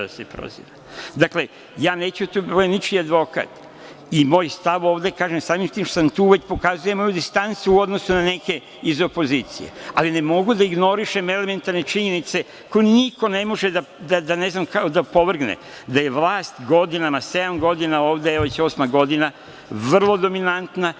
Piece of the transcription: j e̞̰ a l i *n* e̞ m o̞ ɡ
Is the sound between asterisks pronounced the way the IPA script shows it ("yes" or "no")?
yes